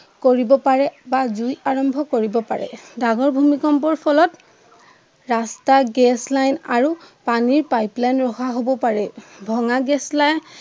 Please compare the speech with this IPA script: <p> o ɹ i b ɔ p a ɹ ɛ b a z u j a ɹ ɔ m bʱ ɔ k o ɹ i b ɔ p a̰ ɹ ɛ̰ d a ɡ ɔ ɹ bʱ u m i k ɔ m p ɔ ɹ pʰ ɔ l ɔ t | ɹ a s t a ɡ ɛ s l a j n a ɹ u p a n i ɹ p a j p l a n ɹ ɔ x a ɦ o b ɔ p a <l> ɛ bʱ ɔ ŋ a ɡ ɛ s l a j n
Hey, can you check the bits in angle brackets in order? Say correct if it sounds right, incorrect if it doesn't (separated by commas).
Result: incorrect, incorrect